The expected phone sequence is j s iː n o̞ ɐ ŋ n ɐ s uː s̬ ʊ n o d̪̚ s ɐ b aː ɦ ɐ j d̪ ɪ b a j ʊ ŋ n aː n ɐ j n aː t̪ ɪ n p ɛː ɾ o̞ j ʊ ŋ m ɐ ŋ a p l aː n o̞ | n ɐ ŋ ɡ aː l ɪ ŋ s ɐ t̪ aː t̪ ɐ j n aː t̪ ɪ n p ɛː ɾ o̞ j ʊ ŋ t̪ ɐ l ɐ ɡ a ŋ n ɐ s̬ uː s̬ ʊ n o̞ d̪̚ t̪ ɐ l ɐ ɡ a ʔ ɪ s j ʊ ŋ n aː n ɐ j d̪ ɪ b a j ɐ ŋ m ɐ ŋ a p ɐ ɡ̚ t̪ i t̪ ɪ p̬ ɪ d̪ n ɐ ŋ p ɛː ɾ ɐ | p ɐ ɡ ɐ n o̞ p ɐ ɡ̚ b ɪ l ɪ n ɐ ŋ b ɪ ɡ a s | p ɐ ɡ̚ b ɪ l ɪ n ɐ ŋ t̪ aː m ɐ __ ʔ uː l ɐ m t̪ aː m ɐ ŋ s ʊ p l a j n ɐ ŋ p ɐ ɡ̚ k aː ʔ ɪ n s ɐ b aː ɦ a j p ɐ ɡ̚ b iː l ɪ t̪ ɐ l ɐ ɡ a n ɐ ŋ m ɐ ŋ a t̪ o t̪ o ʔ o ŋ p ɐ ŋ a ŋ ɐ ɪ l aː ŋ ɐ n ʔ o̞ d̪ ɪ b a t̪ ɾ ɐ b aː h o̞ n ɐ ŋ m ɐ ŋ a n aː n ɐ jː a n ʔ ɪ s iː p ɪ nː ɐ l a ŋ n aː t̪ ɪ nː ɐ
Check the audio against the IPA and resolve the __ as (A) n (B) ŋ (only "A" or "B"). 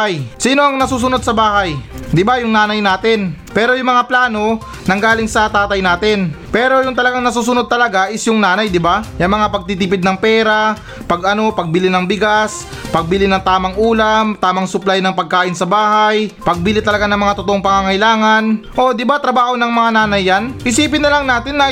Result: B